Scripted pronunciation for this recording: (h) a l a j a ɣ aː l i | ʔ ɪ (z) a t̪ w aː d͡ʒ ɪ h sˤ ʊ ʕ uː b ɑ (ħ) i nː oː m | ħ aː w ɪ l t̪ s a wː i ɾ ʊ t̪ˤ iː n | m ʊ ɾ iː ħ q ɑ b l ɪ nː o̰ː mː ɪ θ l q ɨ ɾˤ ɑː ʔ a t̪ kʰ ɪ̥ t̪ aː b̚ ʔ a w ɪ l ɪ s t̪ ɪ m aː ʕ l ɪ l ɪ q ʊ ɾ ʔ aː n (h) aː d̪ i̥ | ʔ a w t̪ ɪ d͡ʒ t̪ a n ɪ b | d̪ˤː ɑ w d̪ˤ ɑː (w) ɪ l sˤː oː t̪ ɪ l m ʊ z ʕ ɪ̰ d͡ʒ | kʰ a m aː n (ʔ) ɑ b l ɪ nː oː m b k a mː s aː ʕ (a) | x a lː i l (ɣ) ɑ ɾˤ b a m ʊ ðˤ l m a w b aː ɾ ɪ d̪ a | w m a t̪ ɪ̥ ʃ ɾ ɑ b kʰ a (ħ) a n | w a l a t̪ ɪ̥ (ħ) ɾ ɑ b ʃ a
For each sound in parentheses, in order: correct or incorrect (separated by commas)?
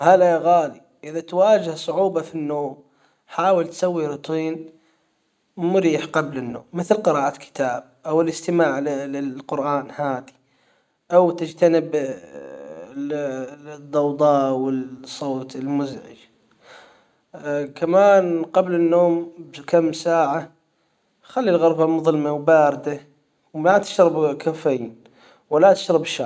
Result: correct, incorrect, incorrect, correct, correct, incorrect, correct, correct, incorrect, incorrect